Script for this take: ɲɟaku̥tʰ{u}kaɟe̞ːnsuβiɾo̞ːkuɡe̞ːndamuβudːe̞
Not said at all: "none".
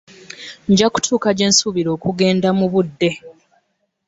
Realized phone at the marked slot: uː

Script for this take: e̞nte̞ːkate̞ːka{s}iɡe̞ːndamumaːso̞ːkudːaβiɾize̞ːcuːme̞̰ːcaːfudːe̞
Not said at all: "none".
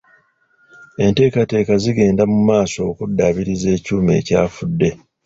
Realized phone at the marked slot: z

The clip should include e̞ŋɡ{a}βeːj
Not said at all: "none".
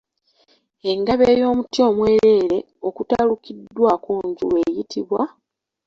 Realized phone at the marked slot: a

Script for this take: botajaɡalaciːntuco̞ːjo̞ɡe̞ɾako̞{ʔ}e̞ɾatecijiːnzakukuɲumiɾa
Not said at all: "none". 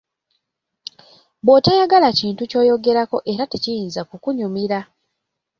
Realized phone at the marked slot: ʔ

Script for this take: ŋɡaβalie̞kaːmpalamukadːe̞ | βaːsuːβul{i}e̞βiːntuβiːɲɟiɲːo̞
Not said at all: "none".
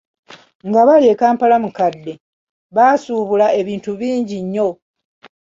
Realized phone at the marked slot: a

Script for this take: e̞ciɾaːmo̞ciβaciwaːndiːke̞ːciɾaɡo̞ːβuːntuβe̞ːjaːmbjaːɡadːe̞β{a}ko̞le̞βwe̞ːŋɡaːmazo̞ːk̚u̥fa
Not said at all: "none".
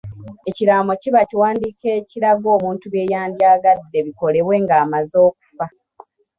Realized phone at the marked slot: i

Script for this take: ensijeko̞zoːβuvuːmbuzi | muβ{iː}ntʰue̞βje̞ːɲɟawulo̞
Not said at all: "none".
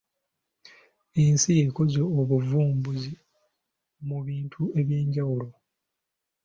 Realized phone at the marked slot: iː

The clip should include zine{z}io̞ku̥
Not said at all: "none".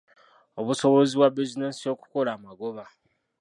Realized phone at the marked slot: s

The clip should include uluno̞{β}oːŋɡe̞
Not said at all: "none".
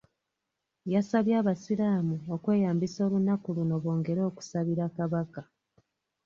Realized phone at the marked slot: β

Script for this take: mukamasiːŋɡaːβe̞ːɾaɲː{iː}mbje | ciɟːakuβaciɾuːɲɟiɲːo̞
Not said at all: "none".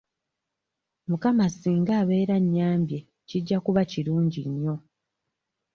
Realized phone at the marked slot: aː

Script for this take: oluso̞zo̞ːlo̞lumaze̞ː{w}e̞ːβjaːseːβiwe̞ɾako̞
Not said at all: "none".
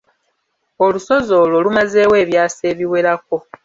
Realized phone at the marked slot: w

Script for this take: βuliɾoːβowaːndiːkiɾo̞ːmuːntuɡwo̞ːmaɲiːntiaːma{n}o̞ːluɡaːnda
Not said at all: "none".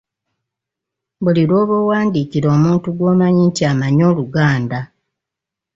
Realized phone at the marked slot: ɲ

